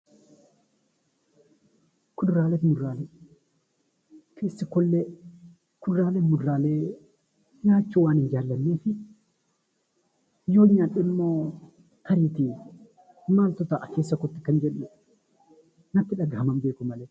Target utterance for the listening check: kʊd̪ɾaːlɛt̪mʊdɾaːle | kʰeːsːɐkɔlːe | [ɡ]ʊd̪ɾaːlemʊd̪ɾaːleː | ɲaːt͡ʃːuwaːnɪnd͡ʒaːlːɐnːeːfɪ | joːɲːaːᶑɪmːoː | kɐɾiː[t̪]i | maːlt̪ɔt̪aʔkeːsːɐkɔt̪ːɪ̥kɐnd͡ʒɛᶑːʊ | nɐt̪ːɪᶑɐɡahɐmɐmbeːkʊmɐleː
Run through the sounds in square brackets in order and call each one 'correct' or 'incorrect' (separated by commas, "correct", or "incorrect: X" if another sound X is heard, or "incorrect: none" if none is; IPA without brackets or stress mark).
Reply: incorrect: k, correct